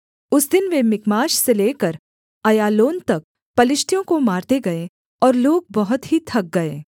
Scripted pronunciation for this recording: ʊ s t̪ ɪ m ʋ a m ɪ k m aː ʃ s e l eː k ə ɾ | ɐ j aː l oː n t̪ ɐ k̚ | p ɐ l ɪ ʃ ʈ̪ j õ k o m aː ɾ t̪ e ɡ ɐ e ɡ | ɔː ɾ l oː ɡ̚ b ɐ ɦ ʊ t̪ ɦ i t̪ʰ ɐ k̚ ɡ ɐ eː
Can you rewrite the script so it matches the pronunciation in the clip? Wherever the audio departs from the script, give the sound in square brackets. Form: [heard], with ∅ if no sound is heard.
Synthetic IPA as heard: ʊ s [d̪] ɪ [n] ʋ [e] m ɪ k m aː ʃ s e l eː k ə ɾ | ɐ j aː l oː n t̪ ɐ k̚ | p ɐ l ɪ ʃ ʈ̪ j õ k o m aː ɾ t̪ e ɡ ɐ e [∅] | ɔː ɾ l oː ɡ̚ b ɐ ɦ ʊ t̪ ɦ i t̪ʰ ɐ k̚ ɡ ɐ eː

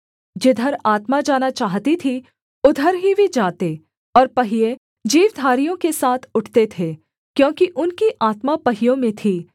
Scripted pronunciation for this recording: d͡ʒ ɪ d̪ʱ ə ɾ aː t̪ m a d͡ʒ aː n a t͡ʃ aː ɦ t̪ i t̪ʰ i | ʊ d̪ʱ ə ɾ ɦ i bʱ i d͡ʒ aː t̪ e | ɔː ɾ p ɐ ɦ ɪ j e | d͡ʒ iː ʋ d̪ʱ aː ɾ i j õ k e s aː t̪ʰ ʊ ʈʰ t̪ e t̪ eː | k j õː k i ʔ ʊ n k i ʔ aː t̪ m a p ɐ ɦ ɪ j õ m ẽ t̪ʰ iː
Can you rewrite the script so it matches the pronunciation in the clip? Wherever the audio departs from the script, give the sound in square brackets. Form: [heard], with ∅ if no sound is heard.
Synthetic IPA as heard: d͡ʒ ɪ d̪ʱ ə ɾ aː t̪ m a d͡ʒ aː n a t͡ʃ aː ɦ t̪ i t̪ʰ i | ʊ d̪ʱ ə ɾ ɦ i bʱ i d͡ʒ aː t̪ e | ɔː ɾ p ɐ ɦ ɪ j e | d͡ʒ iː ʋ d̪ʱ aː ɾ i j õ k e s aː t̪ʰ ʊ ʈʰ t̪ e [t̪ʰ] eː | k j õː k i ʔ ʊ n k i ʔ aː t̪ m a p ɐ ɦ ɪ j õ m ẽ t̪ʰ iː

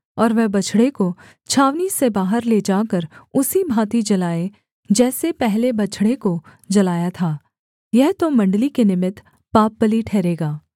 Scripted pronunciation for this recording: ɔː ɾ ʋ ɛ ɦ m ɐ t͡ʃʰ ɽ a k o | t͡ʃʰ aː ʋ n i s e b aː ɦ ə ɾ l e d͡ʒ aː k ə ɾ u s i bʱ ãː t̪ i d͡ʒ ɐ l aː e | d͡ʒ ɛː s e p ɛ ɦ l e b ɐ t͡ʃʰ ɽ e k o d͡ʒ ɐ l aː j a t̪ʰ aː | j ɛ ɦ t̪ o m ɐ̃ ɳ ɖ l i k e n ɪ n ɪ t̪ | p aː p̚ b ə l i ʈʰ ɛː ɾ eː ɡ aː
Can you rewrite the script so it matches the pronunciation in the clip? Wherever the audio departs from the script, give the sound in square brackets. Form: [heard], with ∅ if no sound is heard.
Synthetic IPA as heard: ɔː ɾ ʋ ɛ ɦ [b] ɐ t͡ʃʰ ɽ [e] k o | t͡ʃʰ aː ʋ n i s e b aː ɦ ə ɾ l e d͡ʒ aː k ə ɾ [ʊ] s i bʱ [aː] t̪ i d͡ʒ ɐ l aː e | d͡ʒ ɛː s e p ɛ ɦ l e b ɐ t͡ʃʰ ɽ e k o d͡ʒ ɐ l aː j a t̪ʰ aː | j ɛ ɦ t̪ o m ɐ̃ ɳ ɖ l i k e n ɪ [m] ɪ t̪ | p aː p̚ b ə l i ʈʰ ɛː ɾ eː ɡ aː

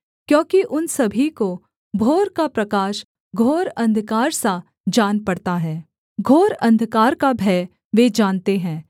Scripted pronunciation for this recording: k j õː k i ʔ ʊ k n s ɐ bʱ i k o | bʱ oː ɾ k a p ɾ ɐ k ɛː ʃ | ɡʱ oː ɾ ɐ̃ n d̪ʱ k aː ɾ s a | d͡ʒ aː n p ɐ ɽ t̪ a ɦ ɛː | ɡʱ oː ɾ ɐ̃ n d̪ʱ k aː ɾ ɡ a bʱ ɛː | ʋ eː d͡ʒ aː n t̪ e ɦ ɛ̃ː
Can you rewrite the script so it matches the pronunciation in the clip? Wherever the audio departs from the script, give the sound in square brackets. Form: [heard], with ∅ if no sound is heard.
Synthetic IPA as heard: k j õː k i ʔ ʊ [∅] n s ɐ bʱ i k o | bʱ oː ɾ k a p ɾ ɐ k [aː] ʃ | ɡʱ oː ɾ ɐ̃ n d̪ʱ k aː ɾ s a | d͡ʒ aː n p ɐ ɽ t̪ a ɦ ɛː | ɡʱ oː ɾ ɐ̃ n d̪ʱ k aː ɾ [k] a bʱ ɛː | ʋ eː d͡ʒ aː n t̪ e ɦ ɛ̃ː

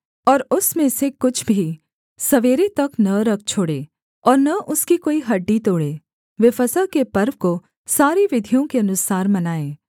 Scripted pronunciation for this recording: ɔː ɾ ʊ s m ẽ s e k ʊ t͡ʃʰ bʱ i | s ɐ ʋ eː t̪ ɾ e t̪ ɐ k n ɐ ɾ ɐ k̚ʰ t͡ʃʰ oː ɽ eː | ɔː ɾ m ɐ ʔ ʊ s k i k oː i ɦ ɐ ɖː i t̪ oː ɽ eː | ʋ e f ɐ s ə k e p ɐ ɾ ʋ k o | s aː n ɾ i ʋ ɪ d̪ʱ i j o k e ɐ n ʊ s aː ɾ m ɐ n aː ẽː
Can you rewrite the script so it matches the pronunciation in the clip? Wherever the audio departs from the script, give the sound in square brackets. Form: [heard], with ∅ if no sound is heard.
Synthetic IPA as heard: ɔː ɾ ʊ s m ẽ s e k ʊ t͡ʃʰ bʱ i | s ɐ ʋ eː [∅] ɾ e t̪ ɐ k n ɐ ɾ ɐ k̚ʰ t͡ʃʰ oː ɽ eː | ɔː ɾ [n] ɐ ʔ ʊ s k i k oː i ɦ ɐ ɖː i t̪ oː ɽ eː | ʋ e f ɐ s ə k e p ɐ ɾ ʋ k o | s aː [∅] ɾ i ʋ ɪ d̪ʱ i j [õ] k e ɐ n ʊ s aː ɾ m ɐ n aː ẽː

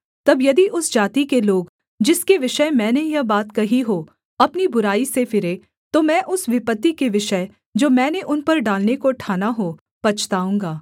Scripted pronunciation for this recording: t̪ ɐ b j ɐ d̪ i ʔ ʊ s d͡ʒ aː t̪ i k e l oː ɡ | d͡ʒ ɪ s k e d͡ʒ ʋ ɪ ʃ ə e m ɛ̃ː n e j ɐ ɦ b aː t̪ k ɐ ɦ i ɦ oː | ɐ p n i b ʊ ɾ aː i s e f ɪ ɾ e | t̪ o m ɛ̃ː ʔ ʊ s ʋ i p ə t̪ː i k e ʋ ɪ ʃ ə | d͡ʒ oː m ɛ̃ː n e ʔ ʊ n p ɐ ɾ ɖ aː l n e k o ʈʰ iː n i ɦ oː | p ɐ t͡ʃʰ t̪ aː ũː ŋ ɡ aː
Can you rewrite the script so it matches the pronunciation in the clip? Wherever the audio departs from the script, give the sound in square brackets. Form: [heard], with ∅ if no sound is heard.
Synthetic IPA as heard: t̪ ɐ b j ɐ d̪ i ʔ ʊ s d͡ʒ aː t̪ i k e l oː ɡ | d͡ʒ ɪ s k e [∅] ʋ ɪ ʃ ə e m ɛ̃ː n e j ɐ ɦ b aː t̪ k ɐ ɦ i ɦ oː | ɐ p n i b ʊ ɾ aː i s e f ɪ ɾ e | t̪ o m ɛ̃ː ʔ ʊ s ʋ [ɪ] p ə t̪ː i k e ʋ ɪ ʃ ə | d͡ʒ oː m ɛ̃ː n e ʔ ʊ n p ɐ ɾ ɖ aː l n e k o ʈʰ [aː] n [a] ɦ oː | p ɐ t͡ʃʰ t̪ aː ũː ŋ ɡ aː

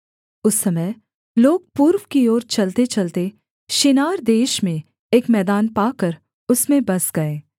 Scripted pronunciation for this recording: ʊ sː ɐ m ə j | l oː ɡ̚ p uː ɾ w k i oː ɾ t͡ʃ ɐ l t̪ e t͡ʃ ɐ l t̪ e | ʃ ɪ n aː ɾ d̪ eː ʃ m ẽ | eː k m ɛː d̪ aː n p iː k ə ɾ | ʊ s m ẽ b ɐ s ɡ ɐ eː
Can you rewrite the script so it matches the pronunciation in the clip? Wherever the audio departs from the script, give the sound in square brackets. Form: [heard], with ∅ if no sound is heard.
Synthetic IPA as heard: ʊ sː ɐ m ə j | l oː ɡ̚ p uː ɾ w k i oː ɾ t͡ʃ ɐ l t̪ e t͡ʃ ɐ l t̪ e | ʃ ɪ n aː ɾ d̪ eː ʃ m ẽ | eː k m ɛː d̪ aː n p [aː] k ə ɾ | ʊ s m ẽ b ɐ s ɡ ɐ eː

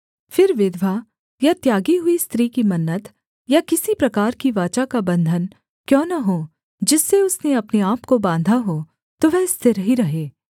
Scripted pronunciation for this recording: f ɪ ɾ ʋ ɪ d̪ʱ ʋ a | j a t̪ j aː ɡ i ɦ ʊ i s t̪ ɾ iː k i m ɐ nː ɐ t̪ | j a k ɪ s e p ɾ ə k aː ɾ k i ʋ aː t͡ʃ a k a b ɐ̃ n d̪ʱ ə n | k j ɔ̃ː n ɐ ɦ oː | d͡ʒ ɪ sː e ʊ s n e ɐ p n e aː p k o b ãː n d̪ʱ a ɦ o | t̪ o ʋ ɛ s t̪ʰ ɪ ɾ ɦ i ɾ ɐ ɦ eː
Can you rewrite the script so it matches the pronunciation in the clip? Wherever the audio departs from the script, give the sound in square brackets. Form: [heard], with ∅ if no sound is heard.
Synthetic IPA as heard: f ɪ ɾ ʋ ɪ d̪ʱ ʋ a | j a t̪ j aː ɡ i ɦ ʊ i s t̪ ɾ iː k i m ɐ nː [ə] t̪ | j a k ɪ s [i] p ɾ [ɐ] k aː ɾ k i ʋ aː t͡ʃ a k a b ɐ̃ n d̪ʱ ə n | k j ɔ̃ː n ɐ ɦ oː | d͡ʒ ɪ sː e ʊ s n e ɐ p n e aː p k o b ãː n d̪ʱ a ɦ o | t̪ o ʋ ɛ s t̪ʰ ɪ ɾ ɦ i ɾ ɐ ɦ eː

